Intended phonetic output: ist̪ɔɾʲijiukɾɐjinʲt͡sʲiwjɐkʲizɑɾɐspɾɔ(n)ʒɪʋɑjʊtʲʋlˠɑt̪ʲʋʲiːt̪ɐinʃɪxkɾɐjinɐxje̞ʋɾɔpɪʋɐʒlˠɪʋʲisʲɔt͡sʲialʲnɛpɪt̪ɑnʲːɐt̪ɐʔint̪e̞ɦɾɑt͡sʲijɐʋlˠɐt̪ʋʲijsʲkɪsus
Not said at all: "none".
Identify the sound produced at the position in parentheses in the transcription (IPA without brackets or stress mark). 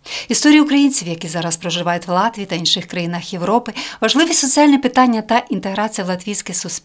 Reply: none